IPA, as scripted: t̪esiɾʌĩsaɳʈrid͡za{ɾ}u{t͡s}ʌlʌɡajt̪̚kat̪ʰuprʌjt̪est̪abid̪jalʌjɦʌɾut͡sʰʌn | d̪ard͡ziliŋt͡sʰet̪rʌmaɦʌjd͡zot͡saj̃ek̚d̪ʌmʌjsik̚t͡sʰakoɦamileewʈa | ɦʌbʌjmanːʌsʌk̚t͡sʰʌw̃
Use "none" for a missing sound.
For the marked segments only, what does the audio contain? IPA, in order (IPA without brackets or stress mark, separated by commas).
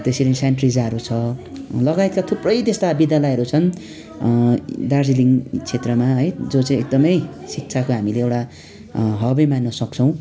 ɾ, t͡sʰ